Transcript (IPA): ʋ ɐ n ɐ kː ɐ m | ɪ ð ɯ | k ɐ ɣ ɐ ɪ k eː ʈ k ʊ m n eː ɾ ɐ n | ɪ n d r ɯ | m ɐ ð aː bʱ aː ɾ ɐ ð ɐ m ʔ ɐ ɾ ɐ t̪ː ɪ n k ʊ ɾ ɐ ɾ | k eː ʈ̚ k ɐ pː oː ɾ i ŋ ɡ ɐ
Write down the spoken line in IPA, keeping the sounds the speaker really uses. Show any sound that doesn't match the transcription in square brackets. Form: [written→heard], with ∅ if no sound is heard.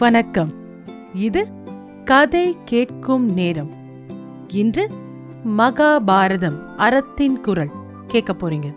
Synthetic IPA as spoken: ʋ ɐ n ɐ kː ɐ m | ɪ ð ɯ | k ɐ [ɣ→ð] ɐ ɪ k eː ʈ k [ʊ→ɯ] m n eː ɾ ɐ [n→m] | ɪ n d r ɯ | m ɐ [ð→ɣ] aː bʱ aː ɾ ɐ ð ɐ m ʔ ɐ ɾ ɐ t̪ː ɪ n k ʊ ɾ ɐ [ɾ→ɭ] | k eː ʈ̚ k ɐ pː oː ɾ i ŋ ɡ ɐ